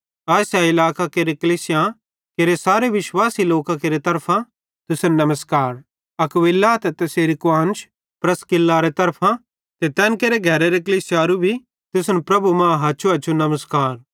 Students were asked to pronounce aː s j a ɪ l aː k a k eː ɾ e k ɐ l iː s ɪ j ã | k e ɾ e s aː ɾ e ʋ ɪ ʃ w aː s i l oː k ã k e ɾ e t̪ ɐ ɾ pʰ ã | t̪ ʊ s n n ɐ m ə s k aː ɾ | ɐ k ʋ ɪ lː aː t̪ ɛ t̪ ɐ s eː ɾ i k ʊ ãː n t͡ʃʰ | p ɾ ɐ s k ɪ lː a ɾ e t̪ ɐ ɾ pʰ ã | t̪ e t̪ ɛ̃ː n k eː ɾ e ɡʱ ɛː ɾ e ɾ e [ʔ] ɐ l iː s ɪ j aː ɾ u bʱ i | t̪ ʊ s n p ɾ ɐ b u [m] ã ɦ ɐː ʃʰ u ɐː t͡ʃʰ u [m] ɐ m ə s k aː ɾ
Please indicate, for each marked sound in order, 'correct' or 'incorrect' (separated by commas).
incorrect, correct, incorrect